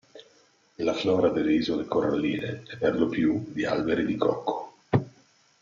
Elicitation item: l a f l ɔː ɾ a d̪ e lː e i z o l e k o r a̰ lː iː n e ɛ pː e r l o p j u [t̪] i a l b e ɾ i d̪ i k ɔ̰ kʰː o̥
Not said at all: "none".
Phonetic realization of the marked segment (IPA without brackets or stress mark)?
d̪